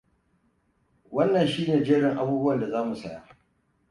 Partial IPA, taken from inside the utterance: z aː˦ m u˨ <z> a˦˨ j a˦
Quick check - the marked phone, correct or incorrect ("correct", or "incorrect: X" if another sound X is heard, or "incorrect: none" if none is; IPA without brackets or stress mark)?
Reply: incorrect: s